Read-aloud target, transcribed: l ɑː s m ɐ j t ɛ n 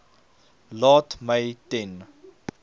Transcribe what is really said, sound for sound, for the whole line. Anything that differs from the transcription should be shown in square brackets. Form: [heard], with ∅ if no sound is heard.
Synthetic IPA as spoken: l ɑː [t] m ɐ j t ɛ n